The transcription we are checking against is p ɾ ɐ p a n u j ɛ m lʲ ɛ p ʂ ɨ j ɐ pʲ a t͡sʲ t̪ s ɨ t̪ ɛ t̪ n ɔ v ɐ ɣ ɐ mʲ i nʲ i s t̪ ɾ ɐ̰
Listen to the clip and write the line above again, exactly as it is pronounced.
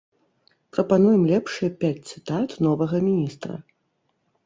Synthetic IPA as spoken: p ɾ ɐ p a n u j ɛ m lʲ ɛ p ʂ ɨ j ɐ pʲ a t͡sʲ t̪ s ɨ t̪ a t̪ n ɔ v ɐ ɣ ɐ mʲ i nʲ i s t̪ ɾ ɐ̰